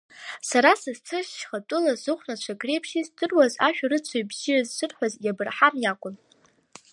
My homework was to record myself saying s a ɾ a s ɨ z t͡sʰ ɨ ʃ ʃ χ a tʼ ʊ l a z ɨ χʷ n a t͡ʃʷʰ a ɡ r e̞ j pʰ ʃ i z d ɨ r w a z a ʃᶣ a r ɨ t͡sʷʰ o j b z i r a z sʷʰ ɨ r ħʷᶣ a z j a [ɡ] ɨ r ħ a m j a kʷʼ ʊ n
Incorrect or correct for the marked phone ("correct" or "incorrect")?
incorrect